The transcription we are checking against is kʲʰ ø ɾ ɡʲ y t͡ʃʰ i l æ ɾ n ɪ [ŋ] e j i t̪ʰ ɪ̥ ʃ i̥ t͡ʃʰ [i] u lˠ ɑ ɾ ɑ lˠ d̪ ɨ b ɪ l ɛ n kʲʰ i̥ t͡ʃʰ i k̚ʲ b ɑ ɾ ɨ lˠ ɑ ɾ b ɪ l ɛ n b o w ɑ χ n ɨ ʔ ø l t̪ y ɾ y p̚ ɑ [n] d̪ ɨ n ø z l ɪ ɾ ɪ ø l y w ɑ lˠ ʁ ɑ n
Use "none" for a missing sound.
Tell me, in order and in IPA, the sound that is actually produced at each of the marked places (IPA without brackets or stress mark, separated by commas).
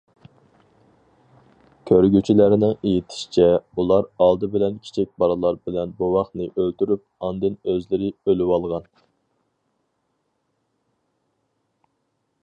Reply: ŋ, ɛ, n